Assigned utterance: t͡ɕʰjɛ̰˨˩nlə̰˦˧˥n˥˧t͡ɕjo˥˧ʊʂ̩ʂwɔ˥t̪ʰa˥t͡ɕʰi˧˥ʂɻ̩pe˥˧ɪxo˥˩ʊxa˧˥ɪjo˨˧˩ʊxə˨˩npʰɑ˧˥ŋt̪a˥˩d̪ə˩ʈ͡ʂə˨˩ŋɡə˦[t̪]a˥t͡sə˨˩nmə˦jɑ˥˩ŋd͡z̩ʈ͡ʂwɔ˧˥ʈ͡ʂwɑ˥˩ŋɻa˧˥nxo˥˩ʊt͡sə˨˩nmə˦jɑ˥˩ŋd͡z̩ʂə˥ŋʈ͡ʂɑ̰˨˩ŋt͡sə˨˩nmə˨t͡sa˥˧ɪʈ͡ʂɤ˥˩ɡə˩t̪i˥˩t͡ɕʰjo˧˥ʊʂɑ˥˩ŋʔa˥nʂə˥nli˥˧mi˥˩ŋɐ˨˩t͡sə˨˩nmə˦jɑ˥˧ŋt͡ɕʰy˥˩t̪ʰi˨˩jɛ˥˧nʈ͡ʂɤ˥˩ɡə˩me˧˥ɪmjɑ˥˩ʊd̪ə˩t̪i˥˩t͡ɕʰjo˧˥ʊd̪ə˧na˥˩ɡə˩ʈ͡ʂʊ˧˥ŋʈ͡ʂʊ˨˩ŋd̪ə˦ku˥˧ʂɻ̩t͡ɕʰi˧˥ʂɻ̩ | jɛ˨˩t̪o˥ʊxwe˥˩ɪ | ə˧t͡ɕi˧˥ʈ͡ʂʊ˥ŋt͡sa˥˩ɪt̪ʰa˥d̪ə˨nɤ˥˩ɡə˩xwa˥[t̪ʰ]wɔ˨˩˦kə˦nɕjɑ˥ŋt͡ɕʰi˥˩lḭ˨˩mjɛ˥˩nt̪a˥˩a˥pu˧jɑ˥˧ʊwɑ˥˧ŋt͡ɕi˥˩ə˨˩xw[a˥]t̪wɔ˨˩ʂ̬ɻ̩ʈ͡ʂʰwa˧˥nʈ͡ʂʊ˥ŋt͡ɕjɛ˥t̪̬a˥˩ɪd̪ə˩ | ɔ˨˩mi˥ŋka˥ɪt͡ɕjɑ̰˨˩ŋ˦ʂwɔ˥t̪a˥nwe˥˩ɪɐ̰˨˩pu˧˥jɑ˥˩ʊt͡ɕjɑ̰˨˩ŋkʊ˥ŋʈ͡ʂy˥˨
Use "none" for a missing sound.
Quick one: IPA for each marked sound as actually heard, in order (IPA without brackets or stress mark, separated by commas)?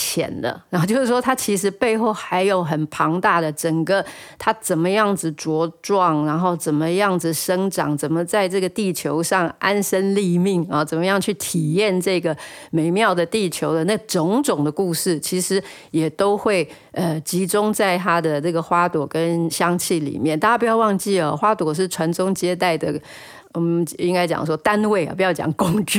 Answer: t̪ʰ, t̪, a˥